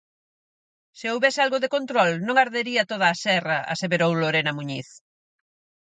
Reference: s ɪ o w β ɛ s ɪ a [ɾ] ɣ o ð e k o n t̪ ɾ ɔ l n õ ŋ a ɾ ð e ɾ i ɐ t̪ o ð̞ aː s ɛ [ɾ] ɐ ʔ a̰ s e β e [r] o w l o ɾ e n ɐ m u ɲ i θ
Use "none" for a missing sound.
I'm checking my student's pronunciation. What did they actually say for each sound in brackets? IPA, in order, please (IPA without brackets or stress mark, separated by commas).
l, r, ɾ